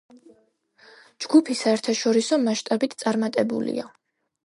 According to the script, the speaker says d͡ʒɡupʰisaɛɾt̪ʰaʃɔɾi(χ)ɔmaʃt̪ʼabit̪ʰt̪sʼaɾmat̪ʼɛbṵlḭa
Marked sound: incorrect: s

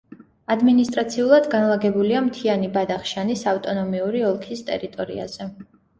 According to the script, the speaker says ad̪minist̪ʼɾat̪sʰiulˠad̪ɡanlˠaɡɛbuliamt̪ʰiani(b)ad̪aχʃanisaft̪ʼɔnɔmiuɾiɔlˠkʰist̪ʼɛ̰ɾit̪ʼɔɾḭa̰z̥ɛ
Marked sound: correct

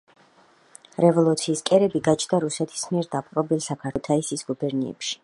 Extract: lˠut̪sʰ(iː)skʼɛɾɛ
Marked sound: correct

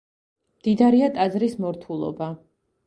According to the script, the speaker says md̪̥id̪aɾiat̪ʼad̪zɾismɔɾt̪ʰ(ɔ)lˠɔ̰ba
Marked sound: incorrect: u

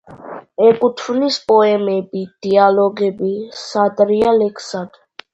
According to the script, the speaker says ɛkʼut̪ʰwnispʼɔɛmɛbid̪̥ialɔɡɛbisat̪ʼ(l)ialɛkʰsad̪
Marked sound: incorrect: ɾ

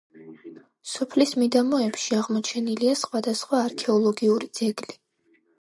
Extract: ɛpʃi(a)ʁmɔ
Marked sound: correct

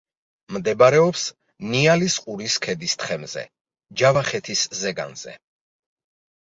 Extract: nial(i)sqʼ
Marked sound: correct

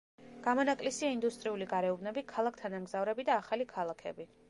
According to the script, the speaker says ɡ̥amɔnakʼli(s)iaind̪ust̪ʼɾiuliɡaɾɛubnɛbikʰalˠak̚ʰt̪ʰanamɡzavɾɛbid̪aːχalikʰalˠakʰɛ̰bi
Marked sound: correct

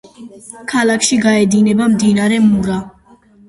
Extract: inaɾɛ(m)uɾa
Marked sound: correct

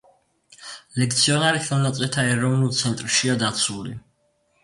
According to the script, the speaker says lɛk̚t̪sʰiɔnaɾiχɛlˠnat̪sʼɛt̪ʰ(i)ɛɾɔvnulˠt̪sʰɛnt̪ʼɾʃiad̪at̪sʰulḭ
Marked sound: incorrect: a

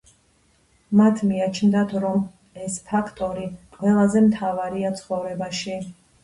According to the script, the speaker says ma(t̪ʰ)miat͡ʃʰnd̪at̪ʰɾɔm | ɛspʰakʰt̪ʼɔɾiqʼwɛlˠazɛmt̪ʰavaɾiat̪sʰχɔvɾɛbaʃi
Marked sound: correct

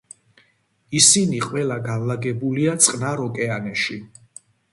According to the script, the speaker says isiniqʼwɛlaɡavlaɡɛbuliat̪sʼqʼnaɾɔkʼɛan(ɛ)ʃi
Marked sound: correct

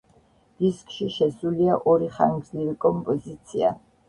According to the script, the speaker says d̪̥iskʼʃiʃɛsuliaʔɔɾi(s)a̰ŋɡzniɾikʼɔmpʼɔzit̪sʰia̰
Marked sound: incorrect: χ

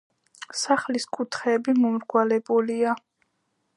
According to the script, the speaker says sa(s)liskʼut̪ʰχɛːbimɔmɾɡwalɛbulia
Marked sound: incorrect: χ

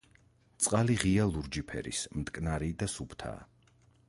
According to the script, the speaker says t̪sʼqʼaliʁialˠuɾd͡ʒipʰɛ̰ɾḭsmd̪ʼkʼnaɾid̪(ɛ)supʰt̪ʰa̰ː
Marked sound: incorrect: a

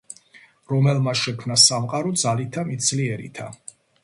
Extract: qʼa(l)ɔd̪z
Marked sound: incorrect: ɾ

